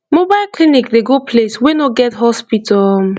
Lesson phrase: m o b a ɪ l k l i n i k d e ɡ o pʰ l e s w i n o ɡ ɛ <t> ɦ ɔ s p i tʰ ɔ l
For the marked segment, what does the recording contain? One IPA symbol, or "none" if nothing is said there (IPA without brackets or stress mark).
t